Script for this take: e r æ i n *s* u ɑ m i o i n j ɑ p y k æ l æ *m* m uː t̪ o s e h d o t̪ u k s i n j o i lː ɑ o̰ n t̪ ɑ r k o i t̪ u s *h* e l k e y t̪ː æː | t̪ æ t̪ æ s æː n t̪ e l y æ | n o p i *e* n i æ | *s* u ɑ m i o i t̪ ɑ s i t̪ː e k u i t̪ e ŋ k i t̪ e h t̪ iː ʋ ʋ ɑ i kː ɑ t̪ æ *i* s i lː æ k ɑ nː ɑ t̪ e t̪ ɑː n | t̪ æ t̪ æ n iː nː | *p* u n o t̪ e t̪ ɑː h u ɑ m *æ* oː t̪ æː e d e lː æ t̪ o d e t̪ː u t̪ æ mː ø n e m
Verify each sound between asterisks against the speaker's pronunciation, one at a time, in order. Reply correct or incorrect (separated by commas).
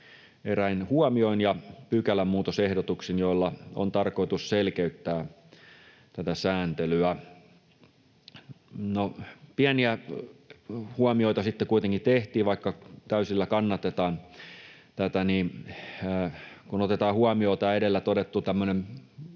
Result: incorrect, correct, incorrect, incorrect, incorrect, incorrect, incorrect, incorrect